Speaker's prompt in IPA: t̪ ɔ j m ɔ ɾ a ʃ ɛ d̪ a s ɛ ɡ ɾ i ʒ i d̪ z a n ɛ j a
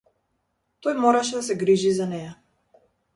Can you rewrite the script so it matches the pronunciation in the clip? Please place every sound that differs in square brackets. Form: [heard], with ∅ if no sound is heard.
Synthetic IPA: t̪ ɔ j m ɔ ɾ a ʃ ɛ d̪ a s ɛ ɡ ɾ i ʒ i [∅] z a n ɛ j a